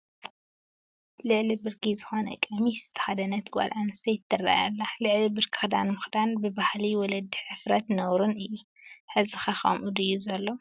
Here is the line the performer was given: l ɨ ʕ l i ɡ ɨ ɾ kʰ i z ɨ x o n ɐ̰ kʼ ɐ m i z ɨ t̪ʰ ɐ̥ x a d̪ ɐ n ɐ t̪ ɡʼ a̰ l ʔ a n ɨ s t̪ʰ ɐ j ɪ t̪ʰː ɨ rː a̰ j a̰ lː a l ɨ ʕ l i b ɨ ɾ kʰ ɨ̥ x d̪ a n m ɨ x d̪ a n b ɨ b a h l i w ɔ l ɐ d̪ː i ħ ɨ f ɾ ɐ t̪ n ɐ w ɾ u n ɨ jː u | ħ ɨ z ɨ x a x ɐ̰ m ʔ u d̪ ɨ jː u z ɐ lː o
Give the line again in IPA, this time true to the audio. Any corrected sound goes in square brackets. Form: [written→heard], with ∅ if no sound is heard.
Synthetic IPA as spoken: l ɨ ʕ l i [ɡ→b] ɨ ɾ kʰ i z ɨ x o n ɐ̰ kʼ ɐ m i z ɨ t̪ʰ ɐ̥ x a d̪ ɐ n ɐ t̪ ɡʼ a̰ l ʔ a n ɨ s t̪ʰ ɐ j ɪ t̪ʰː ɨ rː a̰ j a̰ lː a l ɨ ʕ l i b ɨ ɾ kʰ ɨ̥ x d̪ a n m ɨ x d̪ a n b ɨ b a h l i w ɔ l ɐ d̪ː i ħ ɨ f ɾ ɐ t̪ n ɐ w ɾ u n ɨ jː u | ħ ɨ z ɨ x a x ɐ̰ m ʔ u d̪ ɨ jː u z ɐ lː o